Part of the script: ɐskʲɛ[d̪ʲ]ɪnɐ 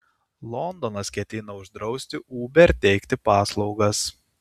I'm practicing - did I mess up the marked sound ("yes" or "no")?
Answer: yes